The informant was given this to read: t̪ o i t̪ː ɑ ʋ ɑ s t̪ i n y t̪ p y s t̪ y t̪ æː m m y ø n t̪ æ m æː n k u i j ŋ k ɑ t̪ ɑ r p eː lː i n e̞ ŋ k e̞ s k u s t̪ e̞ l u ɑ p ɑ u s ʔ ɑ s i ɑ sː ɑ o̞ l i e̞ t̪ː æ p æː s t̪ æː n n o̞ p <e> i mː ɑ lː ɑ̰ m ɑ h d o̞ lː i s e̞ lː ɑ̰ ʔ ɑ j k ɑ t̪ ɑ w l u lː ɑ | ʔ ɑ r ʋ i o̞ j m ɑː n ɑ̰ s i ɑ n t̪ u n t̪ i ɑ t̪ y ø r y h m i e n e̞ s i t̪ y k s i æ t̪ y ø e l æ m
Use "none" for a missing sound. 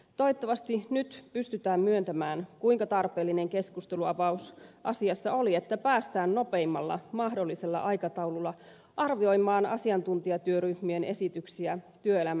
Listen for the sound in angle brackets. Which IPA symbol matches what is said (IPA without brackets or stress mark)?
e